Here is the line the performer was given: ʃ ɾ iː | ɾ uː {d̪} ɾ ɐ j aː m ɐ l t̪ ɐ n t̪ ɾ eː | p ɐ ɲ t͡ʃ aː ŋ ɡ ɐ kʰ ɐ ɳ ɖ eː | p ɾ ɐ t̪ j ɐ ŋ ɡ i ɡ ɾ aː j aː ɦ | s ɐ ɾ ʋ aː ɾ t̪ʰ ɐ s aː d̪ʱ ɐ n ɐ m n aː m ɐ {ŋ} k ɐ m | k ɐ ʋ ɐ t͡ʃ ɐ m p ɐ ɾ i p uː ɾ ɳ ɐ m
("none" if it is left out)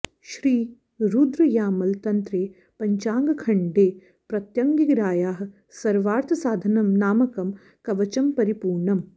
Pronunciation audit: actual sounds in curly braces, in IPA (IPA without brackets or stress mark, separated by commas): d̪, none